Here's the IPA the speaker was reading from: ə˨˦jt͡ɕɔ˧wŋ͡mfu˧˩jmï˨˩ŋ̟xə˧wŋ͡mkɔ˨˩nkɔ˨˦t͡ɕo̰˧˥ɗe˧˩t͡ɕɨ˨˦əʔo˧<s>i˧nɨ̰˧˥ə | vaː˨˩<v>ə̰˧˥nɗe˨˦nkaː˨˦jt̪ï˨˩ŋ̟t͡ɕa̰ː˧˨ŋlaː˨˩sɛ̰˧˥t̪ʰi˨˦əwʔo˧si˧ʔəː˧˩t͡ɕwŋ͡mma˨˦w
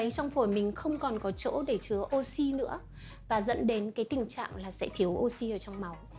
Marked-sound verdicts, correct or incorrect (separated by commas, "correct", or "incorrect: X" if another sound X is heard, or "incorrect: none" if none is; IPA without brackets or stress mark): correct, incorrect: z